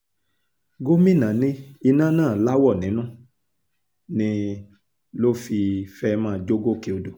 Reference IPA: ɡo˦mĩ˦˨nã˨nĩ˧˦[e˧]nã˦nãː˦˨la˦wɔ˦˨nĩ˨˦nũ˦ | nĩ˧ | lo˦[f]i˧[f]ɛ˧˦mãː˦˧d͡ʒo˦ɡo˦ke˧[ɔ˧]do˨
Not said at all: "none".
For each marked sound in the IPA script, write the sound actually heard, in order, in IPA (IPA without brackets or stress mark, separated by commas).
i˧, f, f, o˧